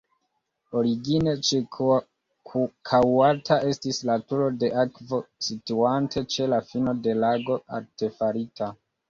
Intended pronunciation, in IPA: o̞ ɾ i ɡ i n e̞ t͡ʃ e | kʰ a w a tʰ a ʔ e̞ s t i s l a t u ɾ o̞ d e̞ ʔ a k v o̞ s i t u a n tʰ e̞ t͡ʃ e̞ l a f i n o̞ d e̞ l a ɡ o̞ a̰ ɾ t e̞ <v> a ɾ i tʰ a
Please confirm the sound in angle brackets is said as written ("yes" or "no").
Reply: no